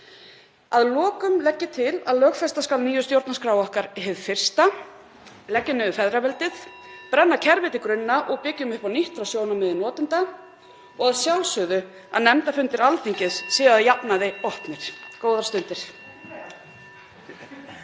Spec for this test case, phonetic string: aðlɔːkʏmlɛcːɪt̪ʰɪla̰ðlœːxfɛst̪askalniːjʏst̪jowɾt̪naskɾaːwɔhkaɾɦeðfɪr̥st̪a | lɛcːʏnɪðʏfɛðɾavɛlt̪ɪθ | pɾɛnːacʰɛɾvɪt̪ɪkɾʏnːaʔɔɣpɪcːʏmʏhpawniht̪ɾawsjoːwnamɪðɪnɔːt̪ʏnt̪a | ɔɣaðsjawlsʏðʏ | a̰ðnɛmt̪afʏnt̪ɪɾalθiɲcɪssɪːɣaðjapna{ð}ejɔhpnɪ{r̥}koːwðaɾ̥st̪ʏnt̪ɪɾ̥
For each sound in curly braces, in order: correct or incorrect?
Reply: correct, incorrect: ɾ̥

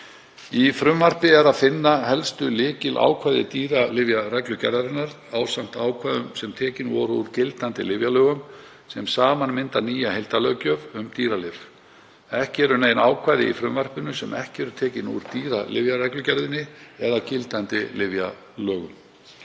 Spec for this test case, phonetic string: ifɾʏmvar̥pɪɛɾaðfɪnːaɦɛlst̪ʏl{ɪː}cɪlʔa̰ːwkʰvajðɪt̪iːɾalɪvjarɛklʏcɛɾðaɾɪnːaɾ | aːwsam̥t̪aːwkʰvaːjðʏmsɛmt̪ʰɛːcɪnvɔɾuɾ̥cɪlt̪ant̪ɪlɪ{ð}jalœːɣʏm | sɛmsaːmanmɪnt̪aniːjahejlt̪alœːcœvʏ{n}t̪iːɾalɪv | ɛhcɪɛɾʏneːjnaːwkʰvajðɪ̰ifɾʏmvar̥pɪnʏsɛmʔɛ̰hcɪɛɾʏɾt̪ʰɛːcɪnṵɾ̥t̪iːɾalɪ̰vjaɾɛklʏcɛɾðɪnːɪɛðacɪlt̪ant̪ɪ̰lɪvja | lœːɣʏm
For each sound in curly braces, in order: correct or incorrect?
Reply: correct, incorrect: v, incorrect: m

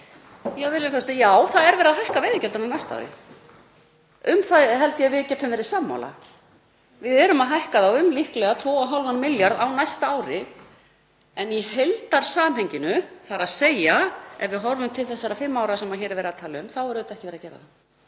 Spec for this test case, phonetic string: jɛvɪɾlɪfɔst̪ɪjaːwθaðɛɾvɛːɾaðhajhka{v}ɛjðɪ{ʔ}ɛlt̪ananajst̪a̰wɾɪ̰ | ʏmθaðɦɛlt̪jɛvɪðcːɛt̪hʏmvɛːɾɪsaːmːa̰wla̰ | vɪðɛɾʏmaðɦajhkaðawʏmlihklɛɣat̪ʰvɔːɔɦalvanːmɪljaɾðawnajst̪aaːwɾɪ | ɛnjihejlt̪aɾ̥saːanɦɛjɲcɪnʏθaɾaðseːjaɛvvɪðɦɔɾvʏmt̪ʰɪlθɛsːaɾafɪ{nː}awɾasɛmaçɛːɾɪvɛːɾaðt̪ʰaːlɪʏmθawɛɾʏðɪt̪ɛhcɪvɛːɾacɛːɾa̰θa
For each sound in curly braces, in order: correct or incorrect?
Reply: correct, incorrect: c, incorrect: mː

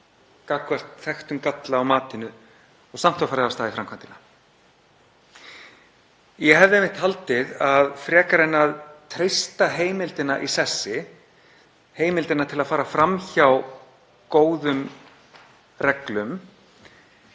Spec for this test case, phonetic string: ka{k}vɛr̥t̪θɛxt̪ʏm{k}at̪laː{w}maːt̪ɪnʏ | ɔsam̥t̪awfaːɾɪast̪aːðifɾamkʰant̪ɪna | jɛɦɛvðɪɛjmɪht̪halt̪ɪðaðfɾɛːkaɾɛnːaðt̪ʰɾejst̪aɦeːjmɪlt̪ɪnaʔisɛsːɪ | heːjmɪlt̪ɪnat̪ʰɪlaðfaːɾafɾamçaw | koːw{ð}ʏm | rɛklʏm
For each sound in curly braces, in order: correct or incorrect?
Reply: correct, correct, correct, correct

